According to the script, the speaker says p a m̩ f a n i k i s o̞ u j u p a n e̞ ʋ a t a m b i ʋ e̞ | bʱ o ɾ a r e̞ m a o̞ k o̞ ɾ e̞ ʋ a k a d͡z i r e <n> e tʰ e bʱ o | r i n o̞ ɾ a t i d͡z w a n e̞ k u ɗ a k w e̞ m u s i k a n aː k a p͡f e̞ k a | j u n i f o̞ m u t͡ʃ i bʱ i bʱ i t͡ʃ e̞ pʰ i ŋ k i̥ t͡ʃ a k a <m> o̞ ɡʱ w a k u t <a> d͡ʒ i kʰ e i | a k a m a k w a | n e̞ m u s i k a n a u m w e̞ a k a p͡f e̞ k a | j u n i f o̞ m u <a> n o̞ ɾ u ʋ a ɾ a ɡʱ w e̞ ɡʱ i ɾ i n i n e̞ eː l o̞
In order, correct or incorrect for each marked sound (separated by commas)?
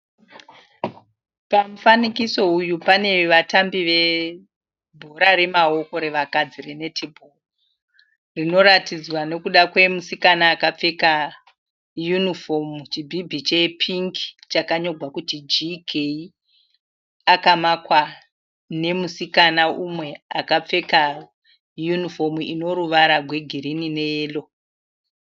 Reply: correct, incorrect, incorrect, incorrect